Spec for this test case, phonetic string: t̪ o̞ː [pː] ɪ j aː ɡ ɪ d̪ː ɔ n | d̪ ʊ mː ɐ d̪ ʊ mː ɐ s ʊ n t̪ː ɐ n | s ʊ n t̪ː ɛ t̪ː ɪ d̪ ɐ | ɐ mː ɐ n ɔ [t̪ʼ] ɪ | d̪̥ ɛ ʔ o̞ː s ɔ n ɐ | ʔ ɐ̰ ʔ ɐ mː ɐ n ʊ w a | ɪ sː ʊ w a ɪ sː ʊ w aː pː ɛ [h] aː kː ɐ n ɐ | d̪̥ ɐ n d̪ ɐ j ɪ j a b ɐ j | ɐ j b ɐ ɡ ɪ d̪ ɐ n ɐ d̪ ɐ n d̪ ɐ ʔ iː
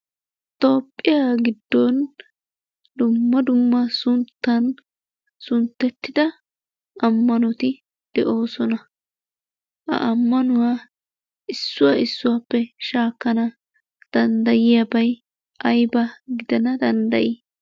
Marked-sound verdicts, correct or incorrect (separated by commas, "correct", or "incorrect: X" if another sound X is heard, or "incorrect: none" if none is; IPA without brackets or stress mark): incorrect: pʼː, incorrect: t̪, incorrect: ʃ